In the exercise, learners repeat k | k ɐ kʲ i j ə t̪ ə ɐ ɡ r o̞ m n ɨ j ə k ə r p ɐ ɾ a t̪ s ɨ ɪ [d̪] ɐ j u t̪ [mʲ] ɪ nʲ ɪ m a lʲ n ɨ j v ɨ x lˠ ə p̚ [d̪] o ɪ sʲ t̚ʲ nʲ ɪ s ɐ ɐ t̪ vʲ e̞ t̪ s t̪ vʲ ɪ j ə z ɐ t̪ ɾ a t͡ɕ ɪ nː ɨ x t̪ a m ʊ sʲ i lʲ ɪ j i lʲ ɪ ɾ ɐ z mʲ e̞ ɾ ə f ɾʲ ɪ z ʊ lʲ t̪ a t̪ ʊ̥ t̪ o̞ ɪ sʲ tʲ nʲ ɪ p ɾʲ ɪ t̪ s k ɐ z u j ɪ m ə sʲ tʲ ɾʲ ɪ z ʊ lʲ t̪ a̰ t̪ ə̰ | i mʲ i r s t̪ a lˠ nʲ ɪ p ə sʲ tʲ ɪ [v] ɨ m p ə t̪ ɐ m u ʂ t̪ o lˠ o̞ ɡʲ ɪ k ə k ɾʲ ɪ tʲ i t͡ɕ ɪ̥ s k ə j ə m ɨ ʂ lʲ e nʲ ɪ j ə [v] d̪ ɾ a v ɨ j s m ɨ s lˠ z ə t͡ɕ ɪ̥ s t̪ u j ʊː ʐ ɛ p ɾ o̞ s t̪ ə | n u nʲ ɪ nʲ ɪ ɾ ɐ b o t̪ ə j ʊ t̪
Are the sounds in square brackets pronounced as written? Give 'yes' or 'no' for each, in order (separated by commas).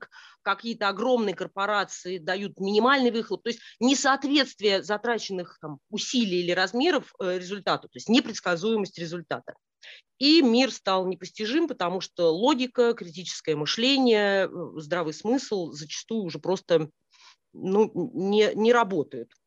yes, yes, no, no, no